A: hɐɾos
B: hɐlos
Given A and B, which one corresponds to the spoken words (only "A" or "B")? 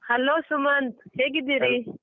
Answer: B